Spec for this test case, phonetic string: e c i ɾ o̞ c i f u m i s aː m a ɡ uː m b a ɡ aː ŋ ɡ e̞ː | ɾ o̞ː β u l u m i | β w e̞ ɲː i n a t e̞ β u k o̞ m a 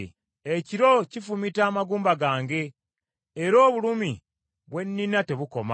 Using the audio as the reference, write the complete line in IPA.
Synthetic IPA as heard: e c i ɾ o̞ c i f u m i t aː m a ɡ uː m b a ɡ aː ŋ ɡ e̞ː | ɾ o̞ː β u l u m i | β w e̞ nː i n a t e̞ β u k o̞ m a